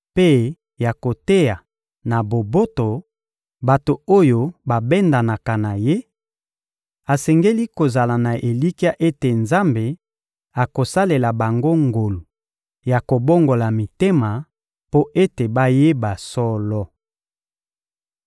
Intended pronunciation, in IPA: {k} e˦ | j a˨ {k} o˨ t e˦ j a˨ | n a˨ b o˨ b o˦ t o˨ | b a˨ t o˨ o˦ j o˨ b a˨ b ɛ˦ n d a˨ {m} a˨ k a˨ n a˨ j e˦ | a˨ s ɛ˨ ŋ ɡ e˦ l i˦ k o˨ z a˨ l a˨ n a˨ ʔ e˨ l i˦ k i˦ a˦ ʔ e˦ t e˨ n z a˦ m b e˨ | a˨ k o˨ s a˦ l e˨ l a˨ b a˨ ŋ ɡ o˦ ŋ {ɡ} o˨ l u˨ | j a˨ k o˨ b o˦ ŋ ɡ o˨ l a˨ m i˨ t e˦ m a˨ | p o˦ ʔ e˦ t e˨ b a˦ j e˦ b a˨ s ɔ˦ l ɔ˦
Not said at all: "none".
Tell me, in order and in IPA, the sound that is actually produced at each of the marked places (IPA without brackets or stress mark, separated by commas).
p, k, n, ɡ